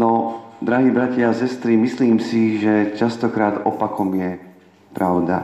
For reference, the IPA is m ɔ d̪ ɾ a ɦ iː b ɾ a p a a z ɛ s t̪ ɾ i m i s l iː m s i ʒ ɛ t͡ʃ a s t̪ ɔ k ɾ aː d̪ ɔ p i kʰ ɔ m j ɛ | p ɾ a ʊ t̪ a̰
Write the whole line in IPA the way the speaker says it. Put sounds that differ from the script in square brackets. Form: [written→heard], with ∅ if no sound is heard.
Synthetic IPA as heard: [m→n] ɔ d̪ ɾ a ɦ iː b ɾ a [p→c] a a [z→s] ɛ s t̪ ɾ i m i s l iː m s i ʒ ɛ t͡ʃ a s t̪ ɔ k ɾ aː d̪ ɔ p [i→a] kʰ ɔ m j ɛ | p ɾ a ʊ [t̪→d̪] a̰